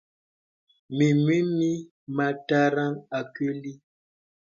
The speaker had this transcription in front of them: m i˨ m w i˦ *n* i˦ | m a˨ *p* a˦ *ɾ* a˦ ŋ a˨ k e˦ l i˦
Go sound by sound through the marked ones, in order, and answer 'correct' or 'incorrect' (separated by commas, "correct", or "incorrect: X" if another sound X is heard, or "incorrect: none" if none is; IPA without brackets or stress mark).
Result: incorrect: m, incorrect: t, correct